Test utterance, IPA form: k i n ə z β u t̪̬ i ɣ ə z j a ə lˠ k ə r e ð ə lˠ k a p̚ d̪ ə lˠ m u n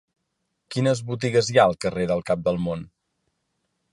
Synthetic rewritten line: k i n ə z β u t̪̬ i ɣ ə z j a ə lˠ k ə r e ð ə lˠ k a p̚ d̪ ə lˠ m o n